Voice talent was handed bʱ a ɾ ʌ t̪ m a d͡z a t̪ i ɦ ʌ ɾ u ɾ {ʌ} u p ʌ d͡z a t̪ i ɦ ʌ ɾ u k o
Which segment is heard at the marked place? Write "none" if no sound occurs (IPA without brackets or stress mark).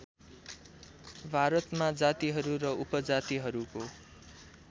ʌ